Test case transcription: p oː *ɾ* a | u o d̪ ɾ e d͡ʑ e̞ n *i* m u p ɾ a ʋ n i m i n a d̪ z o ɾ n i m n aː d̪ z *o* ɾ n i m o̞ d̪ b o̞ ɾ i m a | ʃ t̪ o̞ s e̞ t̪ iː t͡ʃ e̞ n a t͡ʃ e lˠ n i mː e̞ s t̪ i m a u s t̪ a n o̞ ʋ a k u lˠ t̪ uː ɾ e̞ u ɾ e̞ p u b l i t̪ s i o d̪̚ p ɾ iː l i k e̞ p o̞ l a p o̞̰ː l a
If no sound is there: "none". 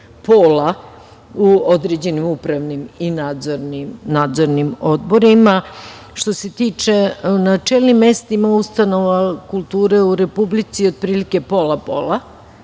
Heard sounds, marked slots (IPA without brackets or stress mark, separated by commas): l, i, o